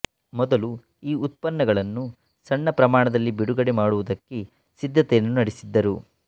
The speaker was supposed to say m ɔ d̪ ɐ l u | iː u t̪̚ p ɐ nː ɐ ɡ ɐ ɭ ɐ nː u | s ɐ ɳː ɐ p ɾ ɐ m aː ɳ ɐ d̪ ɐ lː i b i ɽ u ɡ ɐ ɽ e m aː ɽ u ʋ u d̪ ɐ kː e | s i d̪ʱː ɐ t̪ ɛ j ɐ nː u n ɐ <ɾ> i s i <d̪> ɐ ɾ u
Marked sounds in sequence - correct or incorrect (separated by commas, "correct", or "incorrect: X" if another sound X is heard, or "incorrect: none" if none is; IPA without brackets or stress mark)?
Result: incorrect: ɽ, incorrect: d̪ː